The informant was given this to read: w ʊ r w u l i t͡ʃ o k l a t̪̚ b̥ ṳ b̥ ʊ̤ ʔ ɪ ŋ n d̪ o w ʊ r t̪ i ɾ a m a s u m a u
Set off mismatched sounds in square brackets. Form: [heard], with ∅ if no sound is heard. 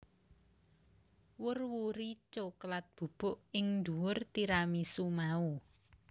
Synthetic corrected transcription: w ʊ r w u [ɾ] i t͡ʃ o k l a t̪̚ b̥ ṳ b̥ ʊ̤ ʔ ɪ ŋ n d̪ [u] w ʊ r t̪ i ɾ a m [i] s u m a u